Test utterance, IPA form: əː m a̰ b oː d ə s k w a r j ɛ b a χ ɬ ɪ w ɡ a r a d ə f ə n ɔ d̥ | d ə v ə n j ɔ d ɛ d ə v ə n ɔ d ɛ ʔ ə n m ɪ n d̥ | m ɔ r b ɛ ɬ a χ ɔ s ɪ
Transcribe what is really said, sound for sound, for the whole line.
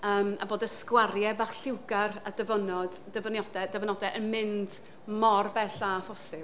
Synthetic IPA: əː m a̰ b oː d ə s k w a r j ɛ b a χ ɬ ɪ w ɡ a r a d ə v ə n ɔ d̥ | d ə v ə n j ɔ d ɛ d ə v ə n ɔ d ɛ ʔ ə n m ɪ n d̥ | m ɔ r b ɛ ɬ a f ɔ s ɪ